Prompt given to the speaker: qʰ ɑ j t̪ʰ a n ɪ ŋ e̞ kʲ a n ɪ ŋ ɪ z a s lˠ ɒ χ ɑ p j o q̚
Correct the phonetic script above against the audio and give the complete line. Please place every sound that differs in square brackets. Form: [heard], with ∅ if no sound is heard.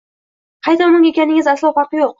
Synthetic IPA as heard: qʰ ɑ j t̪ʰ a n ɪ ŋ e̞ kʲ a n ɪ ŋ ɪ z a s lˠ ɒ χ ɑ [q] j o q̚